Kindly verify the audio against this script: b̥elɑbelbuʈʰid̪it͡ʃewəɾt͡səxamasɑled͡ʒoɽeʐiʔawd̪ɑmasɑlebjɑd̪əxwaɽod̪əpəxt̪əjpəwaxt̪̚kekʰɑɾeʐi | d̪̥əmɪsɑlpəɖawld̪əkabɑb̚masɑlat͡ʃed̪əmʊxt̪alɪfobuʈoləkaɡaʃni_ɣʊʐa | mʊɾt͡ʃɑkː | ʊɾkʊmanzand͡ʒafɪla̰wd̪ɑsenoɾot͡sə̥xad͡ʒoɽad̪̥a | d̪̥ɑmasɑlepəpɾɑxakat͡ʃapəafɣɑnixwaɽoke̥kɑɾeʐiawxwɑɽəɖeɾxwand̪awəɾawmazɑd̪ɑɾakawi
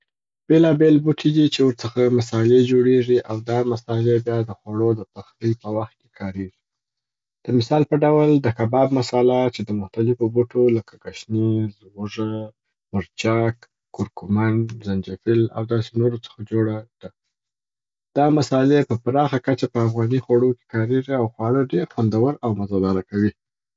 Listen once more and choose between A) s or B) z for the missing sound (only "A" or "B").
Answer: B